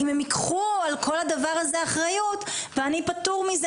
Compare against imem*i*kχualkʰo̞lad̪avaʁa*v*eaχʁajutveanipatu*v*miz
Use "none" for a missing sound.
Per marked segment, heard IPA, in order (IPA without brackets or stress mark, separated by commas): i, z, ʁ